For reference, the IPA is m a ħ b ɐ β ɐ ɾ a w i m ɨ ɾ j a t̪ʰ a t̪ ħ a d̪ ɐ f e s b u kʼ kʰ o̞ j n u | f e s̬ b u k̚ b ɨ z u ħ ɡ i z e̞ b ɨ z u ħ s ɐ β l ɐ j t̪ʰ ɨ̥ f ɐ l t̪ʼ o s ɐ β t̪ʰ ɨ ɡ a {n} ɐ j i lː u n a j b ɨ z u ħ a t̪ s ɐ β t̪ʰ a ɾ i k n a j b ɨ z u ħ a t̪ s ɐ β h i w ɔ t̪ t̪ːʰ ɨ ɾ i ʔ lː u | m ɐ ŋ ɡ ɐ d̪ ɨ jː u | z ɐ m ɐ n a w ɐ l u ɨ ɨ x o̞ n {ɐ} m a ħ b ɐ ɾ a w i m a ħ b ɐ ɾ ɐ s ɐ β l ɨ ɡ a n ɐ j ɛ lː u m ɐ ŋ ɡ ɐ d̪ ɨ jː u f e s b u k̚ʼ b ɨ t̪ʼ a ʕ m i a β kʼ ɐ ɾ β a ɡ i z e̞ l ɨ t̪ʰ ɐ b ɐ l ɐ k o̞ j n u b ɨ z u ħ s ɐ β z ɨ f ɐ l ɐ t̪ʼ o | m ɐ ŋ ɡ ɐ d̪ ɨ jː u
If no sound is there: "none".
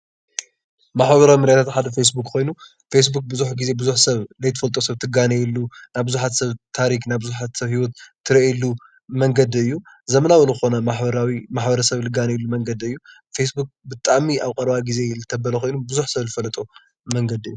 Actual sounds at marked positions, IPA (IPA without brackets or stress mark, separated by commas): n, ɐ